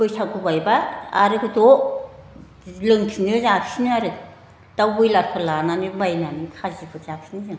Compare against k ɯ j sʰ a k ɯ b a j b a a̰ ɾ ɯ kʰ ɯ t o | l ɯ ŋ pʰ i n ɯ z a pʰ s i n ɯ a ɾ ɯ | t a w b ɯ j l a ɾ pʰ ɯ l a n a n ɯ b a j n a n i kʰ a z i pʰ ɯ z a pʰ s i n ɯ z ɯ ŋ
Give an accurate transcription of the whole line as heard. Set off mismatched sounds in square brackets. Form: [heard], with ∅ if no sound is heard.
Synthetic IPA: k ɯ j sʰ a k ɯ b a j b a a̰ ɾ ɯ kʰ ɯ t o | l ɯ ŋ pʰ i n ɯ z a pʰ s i n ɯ a ɾ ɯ | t a w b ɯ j l a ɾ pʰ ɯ l a n a n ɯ b a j n a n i kʰ a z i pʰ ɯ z a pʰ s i n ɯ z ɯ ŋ